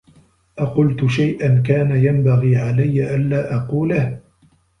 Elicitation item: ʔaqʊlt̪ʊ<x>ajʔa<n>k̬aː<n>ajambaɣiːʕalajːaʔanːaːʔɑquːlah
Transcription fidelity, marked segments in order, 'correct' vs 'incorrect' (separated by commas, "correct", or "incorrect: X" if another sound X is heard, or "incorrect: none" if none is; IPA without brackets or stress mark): incorrect: ʃ, correct, correct